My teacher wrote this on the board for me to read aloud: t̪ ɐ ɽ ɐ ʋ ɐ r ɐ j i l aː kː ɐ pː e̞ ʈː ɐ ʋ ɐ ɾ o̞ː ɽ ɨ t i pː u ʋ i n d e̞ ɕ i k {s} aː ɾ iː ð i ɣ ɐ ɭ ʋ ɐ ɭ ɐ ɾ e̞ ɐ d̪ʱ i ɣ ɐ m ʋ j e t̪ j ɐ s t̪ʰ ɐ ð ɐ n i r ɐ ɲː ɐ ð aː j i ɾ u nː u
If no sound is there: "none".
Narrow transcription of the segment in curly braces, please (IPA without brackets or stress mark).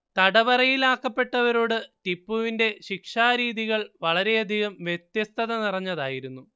ʂ